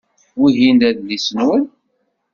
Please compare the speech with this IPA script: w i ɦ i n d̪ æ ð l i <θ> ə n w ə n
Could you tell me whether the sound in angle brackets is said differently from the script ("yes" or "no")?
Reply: yes